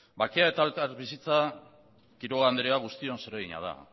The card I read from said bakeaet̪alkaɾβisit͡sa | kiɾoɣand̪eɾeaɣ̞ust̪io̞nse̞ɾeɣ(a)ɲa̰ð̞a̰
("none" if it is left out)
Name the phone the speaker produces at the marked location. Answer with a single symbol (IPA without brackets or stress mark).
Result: i